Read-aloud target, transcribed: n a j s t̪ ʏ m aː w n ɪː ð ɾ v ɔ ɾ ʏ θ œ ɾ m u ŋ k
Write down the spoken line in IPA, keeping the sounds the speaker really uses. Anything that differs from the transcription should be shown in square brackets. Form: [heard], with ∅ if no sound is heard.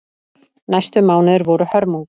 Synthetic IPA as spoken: n a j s t̪ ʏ m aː w n [ɪ] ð ɾ v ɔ ɾ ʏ [h] œ ɾ m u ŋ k